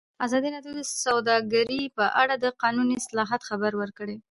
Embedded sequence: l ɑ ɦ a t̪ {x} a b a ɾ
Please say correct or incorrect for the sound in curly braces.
correct